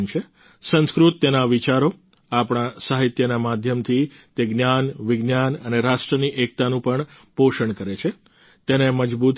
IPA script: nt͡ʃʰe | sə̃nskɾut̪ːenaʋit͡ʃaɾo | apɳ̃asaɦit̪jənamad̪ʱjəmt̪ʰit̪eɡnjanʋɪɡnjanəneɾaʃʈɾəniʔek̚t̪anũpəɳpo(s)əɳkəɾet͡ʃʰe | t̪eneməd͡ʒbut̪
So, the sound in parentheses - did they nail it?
no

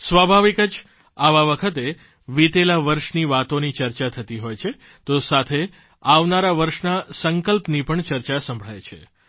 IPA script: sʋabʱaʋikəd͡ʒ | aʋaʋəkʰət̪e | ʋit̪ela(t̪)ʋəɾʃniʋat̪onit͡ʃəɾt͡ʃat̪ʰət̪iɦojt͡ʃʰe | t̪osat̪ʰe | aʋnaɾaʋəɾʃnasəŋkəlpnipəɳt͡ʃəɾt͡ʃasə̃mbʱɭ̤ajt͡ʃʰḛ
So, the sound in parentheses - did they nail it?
no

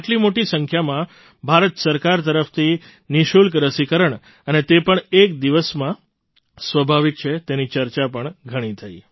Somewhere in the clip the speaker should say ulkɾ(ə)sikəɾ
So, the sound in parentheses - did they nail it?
yes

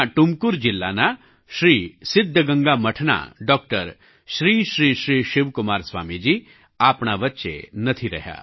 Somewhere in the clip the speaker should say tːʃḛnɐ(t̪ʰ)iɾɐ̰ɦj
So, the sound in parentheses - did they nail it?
yes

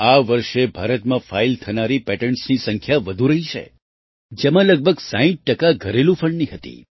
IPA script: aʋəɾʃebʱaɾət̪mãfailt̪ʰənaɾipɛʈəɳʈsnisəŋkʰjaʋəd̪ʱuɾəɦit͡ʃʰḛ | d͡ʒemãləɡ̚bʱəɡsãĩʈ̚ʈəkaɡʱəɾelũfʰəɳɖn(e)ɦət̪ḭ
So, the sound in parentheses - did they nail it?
no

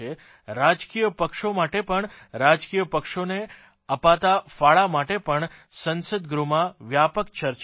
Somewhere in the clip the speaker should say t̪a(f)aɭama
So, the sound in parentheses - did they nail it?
yes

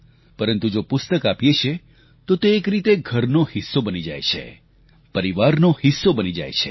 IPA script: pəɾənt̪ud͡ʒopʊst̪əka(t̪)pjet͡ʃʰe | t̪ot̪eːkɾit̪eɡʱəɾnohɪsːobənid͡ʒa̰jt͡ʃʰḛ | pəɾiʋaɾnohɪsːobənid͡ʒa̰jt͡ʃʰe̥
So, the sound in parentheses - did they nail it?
no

